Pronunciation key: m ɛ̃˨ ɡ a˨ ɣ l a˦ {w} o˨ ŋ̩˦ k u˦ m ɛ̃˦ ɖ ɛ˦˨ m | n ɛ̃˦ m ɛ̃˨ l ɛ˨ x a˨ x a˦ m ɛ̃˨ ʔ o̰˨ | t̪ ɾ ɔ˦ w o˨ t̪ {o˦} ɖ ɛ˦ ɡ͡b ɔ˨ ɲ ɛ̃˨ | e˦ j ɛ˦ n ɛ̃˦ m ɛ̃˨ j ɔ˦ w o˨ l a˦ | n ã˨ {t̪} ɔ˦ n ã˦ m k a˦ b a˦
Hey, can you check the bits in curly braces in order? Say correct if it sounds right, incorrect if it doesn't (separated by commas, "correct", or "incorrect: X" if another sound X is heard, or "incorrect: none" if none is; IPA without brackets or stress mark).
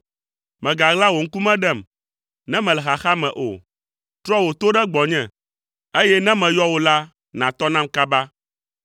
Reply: correct, correct, correct